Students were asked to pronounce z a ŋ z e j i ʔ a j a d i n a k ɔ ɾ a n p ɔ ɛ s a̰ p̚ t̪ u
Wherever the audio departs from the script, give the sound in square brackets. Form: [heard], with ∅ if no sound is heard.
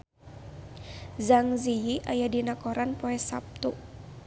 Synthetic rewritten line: z a ŋ z [i] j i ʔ a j a d i n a k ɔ ɾ a n p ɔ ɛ s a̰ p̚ t̪ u